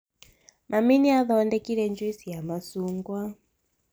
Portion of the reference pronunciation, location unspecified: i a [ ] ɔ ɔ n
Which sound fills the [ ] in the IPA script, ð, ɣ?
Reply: ð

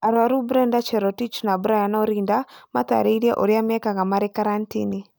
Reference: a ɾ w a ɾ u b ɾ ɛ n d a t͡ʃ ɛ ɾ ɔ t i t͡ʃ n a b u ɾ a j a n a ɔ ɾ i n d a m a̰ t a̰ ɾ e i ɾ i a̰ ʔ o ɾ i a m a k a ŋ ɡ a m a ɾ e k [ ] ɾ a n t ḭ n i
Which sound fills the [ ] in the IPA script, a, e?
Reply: a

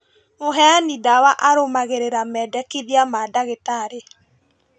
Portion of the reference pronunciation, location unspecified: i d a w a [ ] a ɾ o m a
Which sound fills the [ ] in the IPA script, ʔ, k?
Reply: ʔ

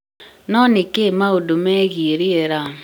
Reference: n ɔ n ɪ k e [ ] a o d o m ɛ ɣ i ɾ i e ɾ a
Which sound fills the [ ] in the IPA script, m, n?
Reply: m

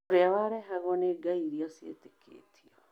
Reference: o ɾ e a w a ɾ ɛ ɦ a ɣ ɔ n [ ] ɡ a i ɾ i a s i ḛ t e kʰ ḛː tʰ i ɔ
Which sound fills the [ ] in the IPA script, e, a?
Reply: e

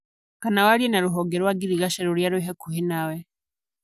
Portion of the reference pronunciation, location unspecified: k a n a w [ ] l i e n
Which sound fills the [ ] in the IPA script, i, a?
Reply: a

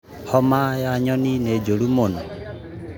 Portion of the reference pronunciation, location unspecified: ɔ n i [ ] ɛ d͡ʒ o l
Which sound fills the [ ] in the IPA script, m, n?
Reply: n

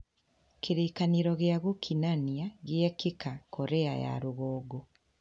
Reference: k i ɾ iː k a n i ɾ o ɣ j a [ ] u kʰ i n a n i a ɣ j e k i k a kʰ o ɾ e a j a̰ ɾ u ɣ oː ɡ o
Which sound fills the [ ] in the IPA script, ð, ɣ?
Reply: ɣ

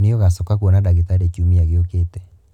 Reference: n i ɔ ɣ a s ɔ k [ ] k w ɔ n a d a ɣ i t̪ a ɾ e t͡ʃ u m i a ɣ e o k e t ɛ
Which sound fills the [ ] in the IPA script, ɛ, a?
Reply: a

